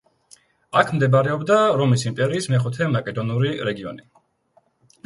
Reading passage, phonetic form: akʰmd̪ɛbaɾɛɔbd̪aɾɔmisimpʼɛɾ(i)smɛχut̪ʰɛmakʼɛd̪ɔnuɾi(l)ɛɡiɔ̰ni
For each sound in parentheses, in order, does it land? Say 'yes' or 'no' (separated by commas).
no, no